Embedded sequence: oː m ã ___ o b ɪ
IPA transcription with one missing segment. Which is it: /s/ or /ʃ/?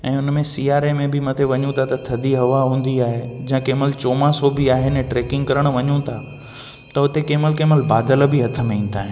s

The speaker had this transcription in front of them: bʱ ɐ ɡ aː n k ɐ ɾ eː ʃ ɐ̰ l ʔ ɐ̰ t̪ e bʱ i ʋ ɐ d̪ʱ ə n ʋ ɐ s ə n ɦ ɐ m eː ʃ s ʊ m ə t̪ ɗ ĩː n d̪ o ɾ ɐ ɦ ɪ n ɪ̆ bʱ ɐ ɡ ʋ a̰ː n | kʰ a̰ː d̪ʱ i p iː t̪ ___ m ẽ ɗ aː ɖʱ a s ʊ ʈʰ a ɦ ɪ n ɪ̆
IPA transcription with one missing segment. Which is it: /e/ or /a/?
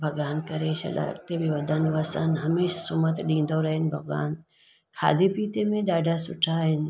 e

